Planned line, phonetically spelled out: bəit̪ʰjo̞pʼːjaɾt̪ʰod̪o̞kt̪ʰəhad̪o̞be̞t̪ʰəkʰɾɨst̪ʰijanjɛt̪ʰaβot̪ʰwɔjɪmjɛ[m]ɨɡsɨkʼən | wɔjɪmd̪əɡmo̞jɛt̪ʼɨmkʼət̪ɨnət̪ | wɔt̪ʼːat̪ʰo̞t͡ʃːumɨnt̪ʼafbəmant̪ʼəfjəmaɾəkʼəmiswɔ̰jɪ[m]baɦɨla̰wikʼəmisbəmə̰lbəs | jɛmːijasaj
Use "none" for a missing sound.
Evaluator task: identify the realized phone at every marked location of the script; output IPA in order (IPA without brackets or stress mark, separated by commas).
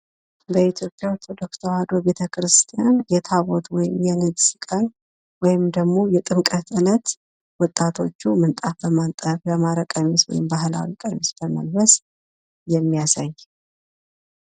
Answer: n, m